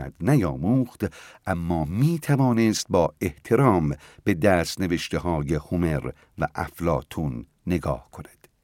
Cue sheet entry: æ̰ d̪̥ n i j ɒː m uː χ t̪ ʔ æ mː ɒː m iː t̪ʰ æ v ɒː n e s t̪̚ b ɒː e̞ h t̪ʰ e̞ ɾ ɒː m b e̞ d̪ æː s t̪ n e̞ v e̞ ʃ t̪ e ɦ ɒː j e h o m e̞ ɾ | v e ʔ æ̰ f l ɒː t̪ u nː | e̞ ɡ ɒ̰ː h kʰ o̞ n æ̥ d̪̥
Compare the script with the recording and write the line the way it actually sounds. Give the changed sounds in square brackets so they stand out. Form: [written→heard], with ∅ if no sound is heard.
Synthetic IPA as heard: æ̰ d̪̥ n [i→æ] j ɒː m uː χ t̪ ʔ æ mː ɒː m iː t̪ʰ æ v ɒː n e s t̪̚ b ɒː e̞ h t̪ʰ e̞ ɾ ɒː m b e̞ d̪ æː s t̪ n e̞ v e̞ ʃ t̪ e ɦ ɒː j e h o m e̞ ɾ | v [e→æ] ʔ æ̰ f l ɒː [t̪→t̪ʰ] u nː | e̞ ɡ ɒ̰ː h kʰ o̞ n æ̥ d̪̥